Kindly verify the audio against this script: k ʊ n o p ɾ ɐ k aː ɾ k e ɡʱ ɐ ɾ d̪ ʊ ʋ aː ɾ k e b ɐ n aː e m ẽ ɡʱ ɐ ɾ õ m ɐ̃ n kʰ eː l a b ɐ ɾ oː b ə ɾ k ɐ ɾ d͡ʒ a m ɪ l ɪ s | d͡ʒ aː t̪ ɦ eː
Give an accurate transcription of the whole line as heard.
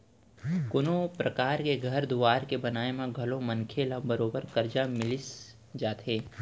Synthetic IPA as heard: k ʊ n o p ɾ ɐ k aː ɾ k e ɡʱ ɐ ɾ d̪ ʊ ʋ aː ɾ k e b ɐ n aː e m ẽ ɡʱ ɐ l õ m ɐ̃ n kʰ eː l a b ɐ ɾ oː b ə ɾ k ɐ ɾ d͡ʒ a m ɪ l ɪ s | d͡ʒ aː t̪ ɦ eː